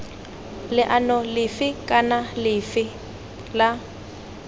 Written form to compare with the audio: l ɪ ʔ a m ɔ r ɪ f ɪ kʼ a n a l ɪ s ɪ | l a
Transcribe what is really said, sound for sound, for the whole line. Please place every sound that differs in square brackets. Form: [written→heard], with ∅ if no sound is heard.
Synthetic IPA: l ɪ ʔ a [m→n] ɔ [r→l] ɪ f ɪ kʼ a n a l ɪ [s→f] ɪ | l a

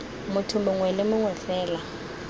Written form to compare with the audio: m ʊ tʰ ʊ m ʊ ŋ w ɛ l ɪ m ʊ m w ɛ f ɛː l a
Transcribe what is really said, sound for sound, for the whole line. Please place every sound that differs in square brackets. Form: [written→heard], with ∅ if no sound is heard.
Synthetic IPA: m ʊ tʰ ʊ m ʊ ŋ w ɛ l ɪ m ʊ [m→ŋ] w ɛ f ɛː l a

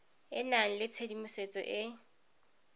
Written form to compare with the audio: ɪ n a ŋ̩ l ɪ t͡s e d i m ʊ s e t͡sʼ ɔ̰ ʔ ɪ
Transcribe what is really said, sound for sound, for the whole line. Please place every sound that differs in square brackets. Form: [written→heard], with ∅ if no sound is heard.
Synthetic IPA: ɪ n a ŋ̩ l ɪ [t͡s→t͡sʰ] e d i m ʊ s e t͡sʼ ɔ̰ ʔ ɪ

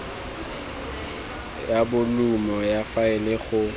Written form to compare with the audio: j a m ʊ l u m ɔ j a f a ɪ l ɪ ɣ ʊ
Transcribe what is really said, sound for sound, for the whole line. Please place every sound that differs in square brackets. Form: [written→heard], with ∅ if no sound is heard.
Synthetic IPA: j a [m→b] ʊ l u m ɔ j a f a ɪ l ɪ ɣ ʊ

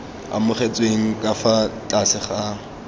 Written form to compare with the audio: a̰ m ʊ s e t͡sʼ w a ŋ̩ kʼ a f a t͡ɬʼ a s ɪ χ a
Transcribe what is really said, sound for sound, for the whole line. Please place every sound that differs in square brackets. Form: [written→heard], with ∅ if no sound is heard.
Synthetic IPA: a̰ m ʊ [s→χ] e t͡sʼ w [a→e] ŋ̩ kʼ a f a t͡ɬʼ a s ɪ χ a

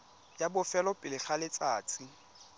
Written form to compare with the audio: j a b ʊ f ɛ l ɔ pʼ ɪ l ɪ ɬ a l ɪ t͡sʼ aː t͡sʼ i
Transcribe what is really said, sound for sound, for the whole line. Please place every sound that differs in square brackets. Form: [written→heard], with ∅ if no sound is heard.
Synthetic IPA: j a b ʊ f ɛ l ɔ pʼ ɪ l ɪ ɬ a l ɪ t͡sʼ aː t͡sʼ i

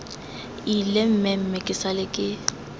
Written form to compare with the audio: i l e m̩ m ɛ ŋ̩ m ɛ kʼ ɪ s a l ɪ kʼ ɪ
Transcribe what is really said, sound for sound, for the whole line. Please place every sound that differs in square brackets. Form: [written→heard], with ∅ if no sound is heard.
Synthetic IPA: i l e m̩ m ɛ [ŋ̩→m̩] m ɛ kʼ ɪ s a l ɪ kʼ ɪ

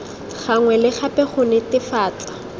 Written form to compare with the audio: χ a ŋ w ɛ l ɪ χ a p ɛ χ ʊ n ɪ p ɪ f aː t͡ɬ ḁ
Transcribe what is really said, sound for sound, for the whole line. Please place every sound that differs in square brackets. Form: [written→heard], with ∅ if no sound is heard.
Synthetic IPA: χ a ŋ w ɛ l ɪ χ a p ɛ χ ʊ n ɪ [p→t] ɪ f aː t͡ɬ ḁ

